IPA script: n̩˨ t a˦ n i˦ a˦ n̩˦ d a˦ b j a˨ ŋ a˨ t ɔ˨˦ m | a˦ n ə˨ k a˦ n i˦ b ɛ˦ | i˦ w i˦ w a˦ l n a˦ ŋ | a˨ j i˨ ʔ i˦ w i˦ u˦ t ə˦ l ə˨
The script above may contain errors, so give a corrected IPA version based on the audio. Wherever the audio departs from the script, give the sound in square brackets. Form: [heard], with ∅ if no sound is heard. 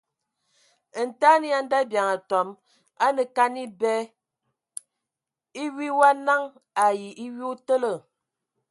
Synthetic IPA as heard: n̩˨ t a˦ n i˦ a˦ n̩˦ d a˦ b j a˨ ŋ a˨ t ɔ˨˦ m | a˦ n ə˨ k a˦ n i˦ b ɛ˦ | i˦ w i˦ w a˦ [∅] n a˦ ŋ | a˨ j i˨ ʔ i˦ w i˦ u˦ t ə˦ l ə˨